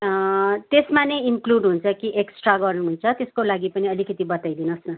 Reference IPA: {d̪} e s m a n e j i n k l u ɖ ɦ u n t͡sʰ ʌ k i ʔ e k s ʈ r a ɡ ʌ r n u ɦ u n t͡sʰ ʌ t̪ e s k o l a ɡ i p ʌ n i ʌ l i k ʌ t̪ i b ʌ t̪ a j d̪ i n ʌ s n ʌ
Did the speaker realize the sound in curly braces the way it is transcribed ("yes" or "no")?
no